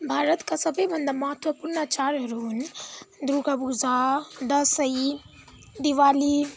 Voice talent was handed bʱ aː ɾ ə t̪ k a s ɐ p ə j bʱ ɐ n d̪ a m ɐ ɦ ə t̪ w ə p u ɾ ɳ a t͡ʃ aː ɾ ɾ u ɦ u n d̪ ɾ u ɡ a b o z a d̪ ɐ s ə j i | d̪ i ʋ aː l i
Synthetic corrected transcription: bʱ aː ɾ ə t̪ k a s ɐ b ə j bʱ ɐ n d̪ a m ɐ ɦ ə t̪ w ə p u ɾ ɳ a t͡ʃ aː ɾ ɾ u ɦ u n d̪ ɾ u ɡ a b u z a d̪ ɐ s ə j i | d̪ i ʋ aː l i